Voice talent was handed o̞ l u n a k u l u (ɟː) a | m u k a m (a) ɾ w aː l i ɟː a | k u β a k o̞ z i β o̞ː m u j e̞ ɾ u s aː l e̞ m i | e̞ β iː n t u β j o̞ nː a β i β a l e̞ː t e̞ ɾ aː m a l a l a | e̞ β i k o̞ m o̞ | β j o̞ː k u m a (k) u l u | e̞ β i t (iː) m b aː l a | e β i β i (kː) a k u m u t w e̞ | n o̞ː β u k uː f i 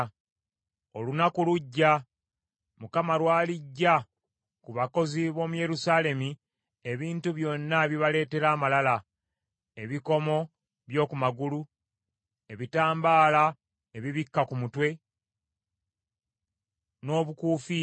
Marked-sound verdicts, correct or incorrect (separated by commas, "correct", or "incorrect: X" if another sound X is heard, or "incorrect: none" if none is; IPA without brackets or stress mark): correct, correct, incorrect: ɡ, incorrect: aː, correct